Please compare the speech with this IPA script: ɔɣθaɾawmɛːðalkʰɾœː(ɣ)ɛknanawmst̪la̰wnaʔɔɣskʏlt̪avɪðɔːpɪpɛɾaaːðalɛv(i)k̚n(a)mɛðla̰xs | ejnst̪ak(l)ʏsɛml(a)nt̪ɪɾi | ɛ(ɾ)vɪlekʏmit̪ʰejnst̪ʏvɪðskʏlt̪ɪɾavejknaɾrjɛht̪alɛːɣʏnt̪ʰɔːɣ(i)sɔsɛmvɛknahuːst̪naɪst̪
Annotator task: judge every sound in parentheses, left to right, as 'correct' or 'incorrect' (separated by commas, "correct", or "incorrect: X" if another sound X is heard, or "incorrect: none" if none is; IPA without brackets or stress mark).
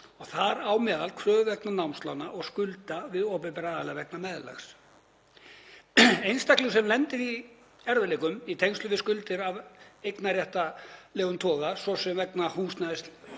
incorrect: v, incorrect: ɛ, correct, correct, incorrect: ɛ, correct, incorrect: a